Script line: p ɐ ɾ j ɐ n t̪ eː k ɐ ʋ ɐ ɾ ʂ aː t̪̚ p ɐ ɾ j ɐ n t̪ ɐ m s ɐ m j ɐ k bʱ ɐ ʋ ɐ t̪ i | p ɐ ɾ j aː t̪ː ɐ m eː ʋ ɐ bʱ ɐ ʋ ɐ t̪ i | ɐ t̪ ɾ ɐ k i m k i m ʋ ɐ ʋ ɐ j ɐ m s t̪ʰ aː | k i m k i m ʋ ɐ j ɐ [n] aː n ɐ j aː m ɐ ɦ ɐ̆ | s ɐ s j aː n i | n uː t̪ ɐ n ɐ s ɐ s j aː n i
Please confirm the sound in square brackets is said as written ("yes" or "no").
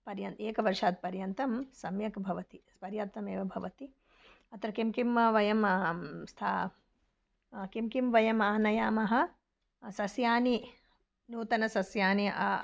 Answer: no